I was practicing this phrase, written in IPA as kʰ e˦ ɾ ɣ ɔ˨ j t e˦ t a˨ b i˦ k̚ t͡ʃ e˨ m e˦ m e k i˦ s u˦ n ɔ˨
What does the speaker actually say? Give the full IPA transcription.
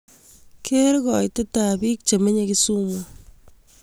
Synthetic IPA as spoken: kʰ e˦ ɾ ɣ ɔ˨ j t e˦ t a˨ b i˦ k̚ t͡ʃ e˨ m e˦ ɲ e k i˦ s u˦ m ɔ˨